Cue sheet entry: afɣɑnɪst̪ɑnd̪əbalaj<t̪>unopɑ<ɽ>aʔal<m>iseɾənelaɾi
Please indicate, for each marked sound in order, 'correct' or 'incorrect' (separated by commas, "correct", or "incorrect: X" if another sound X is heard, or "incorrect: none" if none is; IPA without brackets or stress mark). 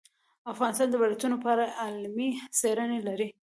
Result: correct, incorrect: ɾ, correct